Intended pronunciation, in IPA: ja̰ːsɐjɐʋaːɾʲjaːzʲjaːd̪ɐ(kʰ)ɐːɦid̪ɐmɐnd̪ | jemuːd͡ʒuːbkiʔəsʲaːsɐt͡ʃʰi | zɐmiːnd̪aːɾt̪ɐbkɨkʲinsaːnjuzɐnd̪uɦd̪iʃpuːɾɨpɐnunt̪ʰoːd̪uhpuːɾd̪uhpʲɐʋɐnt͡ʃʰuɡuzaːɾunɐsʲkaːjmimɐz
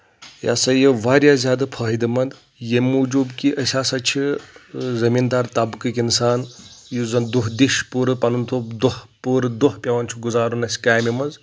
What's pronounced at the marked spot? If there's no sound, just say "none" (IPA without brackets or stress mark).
pʰ